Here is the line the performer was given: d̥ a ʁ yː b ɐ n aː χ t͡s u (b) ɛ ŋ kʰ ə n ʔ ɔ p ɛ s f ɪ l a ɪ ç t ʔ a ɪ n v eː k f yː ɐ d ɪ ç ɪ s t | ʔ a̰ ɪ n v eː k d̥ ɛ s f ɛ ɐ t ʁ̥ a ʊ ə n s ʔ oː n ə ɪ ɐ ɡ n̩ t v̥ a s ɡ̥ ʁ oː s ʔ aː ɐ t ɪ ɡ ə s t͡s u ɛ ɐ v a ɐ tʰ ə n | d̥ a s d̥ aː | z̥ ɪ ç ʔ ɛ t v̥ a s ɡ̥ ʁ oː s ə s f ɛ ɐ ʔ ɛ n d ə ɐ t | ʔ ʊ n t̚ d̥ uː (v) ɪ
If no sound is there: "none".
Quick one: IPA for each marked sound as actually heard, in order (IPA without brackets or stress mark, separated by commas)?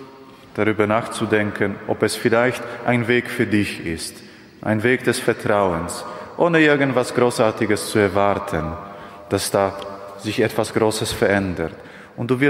d, v